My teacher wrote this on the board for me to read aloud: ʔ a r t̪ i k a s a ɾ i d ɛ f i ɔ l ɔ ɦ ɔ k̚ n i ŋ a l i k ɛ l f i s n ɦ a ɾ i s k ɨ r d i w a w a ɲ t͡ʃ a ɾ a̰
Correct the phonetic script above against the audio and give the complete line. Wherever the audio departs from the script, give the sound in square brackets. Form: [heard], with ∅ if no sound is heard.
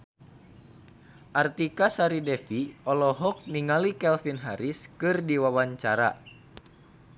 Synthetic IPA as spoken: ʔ a r t̪ i k a s a ɾ i d ɛ f i ɔ l ɔ ɦ ɔ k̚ n i ŋ a l i k ɛ l f i [∅] n ɦ a ɾ i s k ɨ r d i w a w a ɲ t͡ʃ a ɾ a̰